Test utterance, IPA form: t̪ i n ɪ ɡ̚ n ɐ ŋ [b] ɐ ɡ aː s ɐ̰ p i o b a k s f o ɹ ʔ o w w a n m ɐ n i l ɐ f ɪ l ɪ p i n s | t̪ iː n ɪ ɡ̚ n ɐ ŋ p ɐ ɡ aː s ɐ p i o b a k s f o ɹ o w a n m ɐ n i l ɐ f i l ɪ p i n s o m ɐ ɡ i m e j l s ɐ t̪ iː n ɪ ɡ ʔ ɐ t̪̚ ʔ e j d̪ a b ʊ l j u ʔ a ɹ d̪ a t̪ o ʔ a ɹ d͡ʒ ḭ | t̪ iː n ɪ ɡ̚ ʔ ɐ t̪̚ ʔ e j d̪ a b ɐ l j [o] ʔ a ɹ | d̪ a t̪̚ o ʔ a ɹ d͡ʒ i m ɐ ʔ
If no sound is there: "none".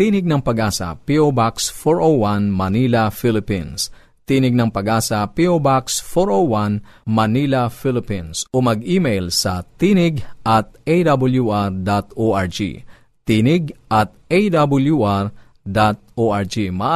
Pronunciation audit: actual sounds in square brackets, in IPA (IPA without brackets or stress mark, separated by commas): p, u